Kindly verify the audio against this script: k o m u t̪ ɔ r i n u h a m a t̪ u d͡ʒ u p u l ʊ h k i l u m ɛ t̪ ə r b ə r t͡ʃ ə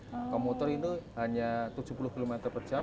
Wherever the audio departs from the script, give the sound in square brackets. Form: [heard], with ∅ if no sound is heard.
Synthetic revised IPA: k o m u t̪ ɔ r i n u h a [ɲ] a t̪ u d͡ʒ u p u l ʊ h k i l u m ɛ t̪ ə r [p] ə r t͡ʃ [a]